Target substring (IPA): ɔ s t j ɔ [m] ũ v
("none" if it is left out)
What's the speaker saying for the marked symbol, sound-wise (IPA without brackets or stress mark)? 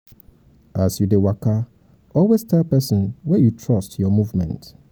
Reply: m